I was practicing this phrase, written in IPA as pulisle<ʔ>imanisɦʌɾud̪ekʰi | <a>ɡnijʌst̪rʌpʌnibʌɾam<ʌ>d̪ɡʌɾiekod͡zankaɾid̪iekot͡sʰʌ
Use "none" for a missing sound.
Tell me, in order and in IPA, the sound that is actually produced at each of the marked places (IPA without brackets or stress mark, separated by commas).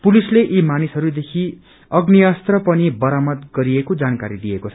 ʔ, ʌ, ʌ